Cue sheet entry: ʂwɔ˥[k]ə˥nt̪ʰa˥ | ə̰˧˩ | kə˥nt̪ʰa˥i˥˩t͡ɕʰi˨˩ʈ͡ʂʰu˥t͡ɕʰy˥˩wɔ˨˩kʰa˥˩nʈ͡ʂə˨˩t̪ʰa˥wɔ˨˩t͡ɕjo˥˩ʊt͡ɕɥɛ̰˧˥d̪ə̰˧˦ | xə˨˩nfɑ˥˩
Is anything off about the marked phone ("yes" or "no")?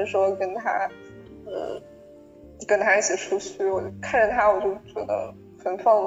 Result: no